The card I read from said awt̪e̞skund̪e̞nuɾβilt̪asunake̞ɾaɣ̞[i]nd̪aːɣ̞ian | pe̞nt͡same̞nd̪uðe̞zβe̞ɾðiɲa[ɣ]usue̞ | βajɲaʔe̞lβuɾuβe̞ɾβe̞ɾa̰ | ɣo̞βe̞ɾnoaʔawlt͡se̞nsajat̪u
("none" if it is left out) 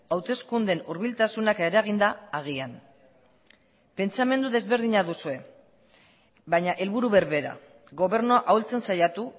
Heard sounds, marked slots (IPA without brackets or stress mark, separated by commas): i, ð